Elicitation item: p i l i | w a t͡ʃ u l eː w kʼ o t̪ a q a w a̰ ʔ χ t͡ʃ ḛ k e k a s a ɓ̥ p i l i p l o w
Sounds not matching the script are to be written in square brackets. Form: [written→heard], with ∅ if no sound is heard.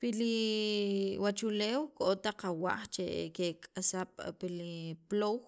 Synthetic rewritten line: p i l i | w a t͡ʃ u l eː w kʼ o t̪ a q a w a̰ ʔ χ t͡ʃ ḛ k e [k→kʼ] a s a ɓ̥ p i l i p l o w